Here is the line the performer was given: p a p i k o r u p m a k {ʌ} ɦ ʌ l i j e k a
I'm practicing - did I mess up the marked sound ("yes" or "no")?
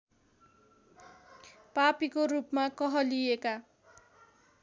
no